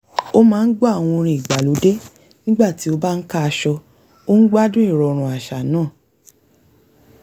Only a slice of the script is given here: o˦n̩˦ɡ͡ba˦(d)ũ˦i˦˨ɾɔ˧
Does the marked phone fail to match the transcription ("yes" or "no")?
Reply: no